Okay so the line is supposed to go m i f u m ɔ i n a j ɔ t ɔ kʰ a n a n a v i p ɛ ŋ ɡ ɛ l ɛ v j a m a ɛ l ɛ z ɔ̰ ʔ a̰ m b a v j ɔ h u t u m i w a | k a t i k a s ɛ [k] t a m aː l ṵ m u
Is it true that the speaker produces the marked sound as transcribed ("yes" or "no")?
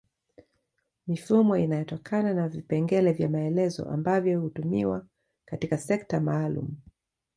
yes